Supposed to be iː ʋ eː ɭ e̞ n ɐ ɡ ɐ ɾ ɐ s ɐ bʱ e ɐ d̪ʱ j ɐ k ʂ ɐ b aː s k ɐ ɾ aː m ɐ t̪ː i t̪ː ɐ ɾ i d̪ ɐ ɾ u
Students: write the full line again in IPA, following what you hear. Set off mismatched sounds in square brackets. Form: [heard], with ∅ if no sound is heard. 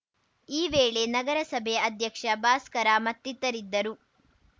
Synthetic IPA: iː ʋ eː ɭ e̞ n ɐ ɡ ɐ ɾ ɐ s ɐ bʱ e ɐ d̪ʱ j ɐ k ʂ ɐ b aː s k ɐ ɾ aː m ɐ t̪ː i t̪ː ɐ ɾ i [d̪ː] ɐ ɾ u